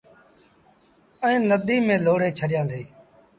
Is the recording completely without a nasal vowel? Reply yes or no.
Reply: no